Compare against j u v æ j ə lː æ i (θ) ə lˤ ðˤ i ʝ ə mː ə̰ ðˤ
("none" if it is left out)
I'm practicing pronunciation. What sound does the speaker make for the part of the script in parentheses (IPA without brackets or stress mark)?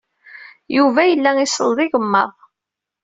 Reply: s